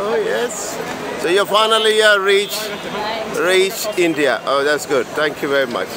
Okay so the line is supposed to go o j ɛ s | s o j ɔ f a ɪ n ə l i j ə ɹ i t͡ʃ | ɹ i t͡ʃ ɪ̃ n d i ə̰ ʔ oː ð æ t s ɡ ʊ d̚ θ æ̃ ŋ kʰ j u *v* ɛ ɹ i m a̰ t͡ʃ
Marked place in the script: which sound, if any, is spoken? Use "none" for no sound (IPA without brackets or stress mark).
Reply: v